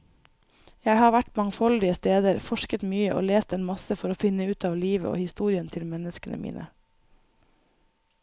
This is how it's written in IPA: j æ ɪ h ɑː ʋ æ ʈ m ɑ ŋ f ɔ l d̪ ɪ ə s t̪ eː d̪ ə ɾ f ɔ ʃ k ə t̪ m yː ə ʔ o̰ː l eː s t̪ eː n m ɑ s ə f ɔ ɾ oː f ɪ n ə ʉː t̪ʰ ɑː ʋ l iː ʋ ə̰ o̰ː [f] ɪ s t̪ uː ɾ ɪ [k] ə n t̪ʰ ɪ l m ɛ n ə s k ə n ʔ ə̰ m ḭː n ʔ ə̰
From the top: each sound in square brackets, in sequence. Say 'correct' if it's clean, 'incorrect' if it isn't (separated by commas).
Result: incorrect, incorrect